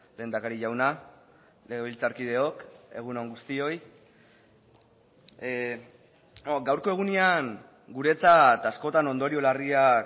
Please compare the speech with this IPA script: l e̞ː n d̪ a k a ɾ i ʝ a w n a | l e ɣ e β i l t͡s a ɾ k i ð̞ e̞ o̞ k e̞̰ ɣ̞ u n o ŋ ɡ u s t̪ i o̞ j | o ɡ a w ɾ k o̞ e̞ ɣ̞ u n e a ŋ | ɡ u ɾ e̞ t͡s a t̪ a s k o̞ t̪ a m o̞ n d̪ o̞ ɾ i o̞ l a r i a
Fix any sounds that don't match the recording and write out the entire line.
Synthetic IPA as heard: l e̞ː n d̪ a k a ɾ i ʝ a w n a | l e ɣ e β i l t͡s a ɾ k i ð̞ e̞ o̞ k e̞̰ ɣ̞ u n o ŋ ɡ u s t̪ i o̞ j | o ɡ a w ɾ k o̞ e̞ ɣ̞ u n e a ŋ | ɡ u ɾ e̞ t͡s a t̪ a s k o̞ t̪ a n o̞ n d̪ o̞ ɾ i o̞ l a r i a